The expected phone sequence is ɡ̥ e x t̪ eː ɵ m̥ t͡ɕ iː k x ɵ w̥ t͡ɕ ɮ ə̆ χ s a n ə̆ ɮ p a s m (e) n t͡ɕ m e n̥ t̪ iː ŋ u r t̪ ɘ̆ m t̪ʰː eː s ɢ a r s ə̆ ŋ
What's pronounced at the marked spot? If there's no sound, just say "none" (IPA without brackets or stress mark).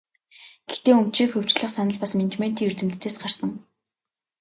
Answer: e